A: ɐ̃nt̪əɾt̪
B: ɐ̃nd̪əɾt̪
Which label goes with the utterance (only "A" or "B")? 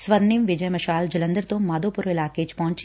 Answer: B